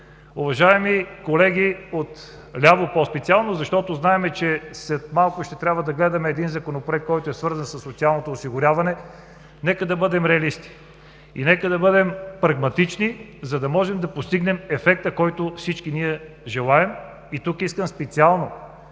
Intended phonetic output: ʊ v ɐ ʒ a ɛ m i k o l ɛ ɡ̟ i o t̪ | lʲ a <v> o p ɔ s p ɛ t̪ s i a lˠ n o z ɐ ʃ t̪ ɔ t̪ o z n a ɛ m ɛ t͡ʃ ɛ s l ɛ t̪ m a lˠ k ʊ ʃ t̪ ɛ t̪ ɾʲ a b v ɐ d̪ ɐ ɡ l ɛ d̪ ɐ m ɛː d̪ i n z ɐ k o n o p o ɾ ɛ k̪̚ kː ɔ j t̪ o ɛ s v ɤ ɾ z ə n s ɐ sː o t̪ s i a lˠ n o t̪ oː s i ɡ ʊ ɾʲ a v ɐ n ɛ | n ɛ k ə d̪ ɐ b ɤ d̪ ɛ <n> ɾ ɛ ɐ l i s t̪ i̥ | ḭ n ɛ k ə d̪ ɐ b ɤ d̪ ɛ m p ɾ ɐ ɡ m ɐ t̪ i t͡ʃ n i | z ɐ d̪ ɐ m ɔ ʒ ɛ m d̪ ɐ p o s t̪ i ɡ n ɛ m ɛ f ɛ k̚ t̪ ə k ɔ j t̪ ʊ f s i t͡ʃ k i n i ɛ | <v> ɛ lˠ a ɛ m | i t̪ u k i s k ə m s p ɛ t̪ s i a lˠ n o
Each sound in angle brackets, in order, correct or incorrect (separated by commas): correct, incorrect, incorrect